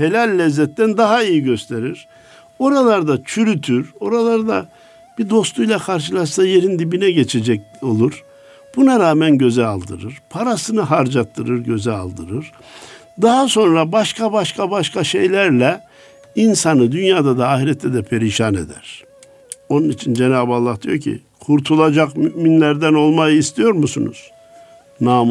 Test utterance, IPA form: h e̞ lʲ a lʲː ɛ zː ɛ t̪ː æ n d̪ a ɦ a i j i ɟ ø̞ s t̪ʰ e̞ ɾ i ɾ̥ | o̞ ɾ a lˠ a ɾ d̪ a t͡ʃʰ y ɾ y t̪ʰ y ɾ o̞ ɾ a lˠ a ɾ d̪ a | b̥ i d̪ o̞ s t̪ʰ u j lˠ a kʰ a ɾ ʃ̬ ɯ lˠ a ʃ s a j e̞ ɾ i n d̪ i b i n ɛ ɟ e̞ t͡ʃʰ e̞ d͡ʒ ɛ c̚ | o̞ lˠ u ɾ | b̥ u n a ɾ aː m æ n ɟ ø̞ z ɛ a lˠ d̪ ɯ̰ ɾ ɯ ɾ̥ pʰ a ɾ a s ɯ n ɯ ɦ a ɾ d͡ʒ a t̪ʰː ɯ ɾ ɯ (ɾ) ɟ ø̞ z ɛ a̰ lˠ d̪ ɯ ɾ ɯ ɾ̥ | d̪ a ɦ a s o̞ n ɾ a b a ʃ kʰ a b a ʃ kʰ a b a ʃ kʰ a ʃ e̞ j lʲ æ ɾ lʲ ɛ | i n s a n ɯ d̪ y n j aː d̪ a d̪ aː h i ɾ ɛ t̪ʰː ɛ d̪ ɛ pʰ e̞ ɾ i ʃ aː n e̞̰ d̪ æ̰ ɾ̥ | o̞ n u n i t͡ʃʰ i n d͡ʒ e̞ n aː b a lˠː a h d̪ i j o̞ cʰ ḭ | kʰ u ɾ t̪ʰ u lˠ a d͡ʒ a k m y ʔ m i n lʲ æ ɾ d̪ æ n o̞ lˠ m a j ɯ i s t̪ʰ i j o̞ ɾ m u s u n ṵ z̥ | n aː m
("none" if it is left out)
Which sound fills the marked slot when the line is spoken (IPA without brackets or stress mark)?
ɾ